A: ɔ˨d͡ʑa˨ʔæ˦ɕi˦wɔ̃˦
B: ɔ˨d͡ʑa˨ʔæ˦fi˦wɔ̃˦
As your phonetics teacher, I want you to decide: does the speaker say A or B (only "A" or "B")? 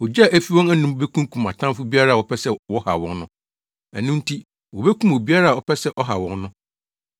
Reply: B